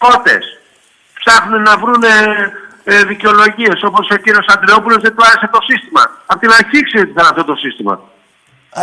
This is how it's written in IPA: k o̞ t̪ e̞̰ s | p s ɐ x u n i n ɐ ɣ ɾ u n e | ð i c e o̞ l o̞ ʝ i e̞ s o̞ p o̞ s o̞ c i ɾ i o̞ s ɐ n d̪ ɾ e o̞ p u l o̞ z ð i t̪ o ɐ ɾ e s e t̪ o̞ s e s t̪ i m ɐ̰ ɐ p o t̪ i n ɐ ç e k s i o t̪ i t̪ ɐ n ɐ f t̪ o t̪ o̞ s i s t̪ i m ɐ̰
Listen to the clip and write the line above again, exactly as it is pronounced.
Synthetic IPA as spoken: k o̞ t̪ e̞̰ s | p s ɐ x u n e n ɐ v ɾ u n e | ð i c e o̞ l o̞ ʝ i e̞ s o̞ p o̞ s o̞ c i ɾ i o̞ s ɐ n d̪ ɾ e o̞ p u l o̞ z ð e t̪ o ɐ ɾ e s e t̪ o̞ s i s t̪ i m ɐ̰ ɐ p o t̪ i n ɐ ç i k s i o t̪ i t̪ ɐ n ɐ f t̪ o t̪ o̞ s i s t̪ i m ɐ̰